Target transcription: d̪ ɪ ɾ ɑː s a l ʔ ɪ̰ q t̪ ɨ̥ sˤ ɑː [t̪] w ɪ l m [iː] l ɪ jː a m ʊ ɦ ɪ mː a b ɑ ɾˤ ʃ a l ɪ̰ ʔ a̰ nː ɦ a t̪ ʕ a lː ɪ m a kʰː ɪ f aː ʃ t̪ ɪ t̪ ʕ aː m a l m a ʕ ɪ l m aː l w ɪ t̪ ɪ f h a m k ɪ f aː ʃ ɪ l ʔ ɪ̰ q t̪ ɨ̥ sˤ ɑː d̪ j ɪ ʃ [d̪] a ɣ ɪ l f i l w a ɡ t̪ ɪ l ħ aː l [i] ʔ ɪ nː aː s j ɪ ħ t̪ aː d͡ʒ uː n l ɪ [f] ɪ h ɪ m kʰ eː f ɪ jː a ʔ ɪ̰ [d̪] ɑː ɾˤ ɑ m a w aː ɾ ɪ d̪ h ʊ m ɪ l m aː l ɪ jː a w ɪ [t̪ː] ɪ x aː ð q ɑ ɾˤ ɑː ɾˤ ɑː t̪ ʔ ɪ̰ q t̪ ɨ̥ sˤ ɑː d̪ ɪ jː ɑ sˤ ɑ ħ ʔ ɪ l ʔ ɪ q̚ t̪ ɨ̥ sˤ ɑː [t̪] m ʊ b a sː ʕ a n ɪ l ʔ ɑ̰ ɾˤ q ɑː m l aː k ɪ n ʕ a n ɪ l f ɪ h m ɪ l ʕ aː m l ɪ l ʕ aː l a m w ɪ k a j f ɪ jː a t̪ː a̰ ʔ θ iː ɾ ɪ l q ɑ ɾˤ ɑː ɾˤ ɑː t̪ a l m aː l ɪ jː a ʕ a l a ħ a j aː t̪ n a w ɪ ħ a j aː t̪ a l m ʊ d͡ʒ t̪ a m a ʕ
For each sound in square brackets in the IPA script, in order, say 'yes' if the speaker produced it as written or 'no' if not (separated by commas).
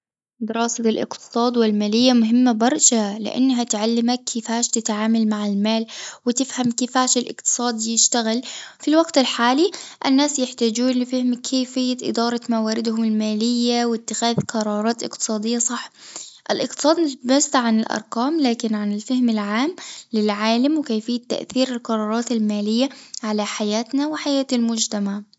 no, no, no, yes, yes, yes, yes, no